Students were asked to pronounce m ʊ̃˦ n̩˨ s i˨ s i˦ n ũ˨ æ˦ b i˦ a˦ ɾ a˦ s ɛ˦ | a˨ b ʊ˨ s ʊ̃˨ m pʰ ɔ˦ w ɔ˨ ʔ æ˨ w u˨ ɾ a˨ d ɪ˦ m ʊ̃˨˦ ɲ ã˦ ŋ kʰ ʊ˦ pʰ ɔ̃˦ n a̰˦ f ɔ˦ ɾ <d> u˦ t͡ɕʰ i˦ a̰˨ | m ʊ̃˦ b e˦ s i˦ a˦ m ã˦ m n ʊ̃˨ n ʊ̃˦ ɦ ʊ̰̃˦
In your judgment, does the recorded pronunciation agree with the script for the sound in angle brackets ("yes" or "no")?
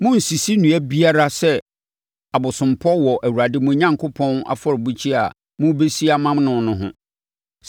no